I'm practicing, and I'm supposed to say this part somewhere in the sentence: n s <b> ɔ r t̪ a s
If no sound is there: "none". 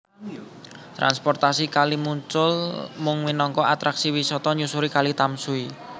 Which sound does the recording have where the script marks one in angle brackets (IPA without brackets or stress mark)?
p